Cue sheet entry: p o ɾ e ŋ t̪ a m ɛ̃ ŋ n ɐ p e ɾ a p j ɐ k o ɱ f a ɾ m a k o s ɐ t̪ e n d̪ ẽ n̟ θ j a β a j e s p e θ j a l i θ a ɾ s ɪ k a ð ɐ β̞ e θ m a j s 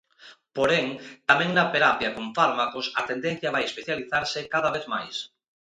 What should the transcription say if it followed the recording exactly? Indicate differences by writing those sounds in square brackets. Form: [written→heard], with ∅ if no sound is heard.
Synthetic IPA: p o ɾ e ŋ t̪ a m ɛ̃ ŋ n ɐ p e ɾ a p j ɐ k o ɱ f a ɾ m a k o s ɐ t̪ e n d̪ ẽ n̟ θ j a β a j e s p e θ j a l i θ a ɾ s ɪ k a ð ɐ β̞ e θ m a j s